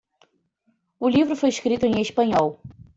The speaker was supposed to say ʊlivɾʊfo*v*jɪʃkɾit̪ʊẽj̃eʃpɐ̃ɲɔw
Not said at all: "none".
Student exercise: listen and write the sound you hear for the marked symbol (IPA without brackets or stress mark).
none